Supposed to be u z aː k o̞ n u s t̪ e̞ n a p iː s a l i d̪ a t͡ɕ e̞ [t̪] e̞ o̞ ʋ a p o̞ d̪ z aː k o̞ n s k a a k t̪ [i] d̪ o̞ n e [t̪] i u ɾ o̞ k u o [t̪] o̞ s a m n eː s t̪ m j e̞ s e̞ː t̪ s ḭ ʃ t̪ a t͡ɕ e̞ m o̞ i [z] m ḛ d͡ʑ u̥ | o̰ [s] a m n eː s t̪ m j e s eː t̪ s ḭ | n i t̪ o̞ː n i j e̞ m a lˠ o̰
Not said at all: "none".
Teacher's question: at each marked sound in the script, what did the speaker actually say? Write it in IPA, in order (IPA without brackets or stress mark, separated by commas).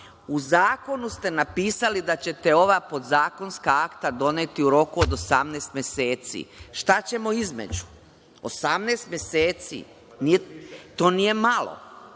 t̪, a, t̪, d̪, z, s